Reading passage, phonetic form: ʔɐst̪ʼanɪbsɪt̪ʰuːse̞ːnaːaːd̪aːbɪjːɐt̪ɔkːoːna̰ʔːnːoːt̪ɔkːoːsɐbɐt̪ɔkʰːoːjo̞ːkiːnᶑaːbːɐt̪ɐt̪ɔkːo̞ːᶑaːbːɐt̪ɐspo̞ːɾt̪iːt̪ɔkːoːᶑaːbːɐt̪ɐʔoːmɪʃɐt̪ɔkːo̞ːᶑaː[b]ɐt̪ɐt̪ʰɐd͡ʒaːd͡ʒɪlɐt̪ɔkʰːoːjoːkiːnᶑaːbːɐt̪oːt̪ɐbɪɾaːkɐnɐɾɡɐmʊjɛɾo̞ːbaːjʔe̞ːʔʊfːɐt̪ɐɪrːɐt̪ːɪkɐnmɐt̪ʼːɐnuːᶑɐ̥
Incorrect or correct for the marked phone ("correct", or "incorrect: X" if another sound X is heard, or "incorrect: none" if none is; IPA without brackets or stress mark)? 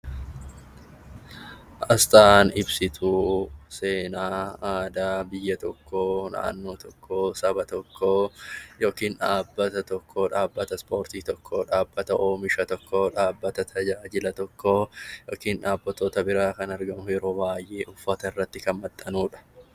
incorrect: bː